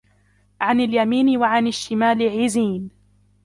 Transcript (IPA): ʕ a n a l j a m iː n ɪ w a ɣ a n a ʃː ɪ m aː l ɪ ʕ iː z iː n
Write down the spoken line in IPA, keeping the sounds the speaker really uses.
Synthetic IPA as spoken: ʕ a n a l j a m iː n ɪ w a ʕ a n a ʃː ɪ m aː l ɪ ʕ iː z iː n

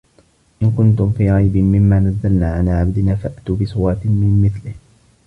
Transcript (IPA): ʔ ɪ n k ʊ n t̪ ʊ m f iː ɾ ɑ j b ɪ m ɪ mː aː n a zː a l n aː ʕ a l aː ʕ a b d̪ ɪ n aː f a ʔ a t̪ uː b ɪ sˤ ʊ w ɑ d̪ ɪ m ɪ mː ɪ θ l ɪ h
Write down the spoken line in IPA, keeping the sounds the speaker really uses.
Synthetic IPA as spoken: ʔ ɪ n k ʊ n t̪ ʊ m f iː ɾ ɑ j b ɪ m ɪ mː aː n a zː a l n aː ʕ a l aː ʕ a b d̪ ɪ n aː f a ʔ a t̪ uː b ɪ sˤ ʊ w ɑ t̪ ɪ m ɪ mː ɪ θ l ɪ h

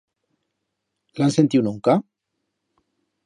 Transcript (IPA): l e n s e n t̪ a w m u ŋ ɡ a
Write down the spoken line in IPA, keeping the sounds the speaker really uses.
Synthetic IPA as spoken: l a n s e n t̪ i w n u ŋ k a

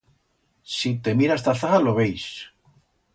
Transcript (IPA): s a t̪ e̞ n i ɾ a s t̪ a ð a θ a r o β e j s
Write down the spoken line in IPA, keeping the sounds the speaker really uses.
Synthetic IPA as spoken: s i t̪ e̞ m i ɾ a s t̪ a θ a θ a l o β e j s

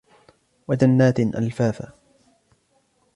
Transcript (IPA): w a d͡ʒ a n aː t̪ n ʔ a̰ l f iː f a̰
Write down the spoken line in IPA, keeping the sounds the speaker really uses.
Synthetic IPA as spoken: w a d͡ʒ a nː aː t̪ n ʔ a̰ l f aː f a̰

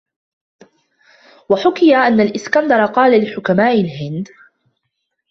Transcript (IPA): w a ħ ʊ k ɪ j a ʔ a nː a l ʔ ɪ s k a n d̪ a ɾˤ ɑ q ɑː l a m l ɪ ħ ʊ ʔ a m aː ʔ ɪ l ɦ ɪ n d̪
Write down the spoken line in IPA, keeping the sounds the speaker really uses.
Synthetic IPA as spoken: w a ħ ʊ k ɪ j a ʔ a nː a l ʔ ɪ s k a n d̪ ɑ ɾˤ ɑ q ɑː l a l ɪ ħ ʊ k a m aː ʔ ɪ l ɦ ɪ n d̪

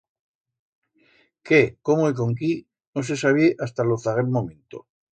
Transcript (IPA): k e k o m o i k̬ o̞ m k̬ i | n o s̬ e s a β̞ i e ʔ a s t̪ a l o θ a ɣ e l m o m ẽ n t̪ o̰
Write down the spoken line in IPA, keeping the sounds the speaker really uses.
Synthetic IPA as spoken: k e k o m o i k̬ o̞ ŋ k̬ i | n o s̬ e s a β̞ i e ʔ a s t̪ a l o θ a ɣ e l m o m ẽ n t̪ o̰

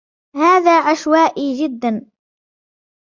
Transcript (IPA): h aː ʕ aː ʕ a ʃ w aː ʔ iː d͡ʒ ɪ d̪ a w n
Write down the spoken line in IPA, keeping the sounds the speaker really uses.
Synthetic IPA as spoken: h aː ð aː ʕ a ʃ w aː ʔ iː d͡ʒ ɪ d̪ː a n

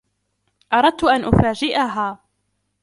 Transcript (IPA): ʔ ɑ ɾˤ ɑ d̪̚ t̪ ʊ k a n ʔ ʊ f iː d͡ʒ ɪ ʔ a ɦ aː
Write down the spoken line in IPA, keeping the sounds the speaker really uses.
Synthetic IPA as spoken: ʔ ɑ ɾˤ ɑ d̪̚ t̪ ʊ ʔ a n ʔ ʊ f aː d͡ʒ ɪ ʔ a ɦ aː

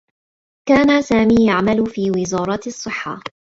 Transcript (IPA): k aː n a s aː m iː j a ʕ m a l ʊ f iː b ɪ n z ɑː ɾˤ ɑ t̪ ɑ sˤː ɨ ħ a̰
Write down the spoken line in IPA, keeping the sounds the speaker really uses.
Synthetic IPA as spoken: k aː n a s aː m iː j a ʕ m a l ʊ f iː w ɪ z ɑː ɾˤ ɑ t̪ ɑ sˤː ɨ ħː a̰

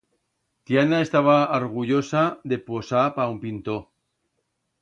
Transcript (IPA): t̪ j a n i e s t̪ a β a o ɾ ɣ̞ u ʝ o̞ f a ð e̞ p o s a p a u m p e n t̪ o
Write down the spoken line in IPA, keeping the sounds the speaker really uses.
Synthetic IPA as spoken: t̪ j a n a e s t̪ a β a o ɾ ɣ̞ u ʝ o̞ s a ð e̞ p o s a p a u m p i n t̪ o

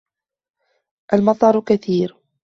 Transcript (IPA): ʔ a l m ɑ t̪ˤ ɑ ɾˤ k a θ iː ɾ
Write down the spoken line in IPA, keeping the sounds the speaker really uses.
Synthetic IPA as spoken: ʔ a l m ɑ t̪ˤ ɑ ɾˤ k a θ iː ɾ

